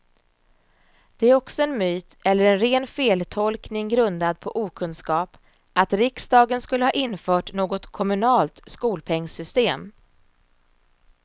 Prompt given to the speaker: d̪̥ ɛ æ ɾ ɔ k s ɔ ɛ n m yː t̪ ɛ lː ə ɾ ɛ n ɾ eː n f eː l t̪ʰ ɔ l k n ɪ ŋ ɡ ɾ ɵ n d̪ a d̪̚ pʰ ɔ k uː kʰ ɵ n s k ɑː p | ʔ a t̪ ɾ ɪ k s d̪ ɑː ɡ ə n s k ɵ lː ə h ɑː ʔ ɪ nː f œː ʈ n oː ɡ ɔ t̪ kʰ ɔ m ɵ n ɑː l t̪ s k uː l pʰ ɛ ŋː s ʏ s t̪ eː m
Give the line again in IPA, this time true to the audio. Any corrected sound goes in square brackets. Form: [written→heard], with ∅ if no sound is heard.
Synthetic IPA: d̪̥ ɛ æ ɾ ɔ k s ɔ ɛ n m yː t̪ ɛ lː ə ɾ ɛ n ɾ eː n f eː l t̪ʰ ɔ l k n ɪ ŋ ɡ ɾ ɵ n d̪ a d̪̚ pʰ ɔ [k→ʔ] uː kʰ ɵ n s k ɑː p | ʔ a t̪ ɾ ɪ k s d̪ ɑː ɡ ə n s k ɵ lː ə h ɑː ʔ ɪ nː f œː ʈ n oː ɡ ɔ t̪ kʰ ɔ m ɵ n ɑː l t̪ s k uː l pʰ ɛ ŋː s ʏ s t̪ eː m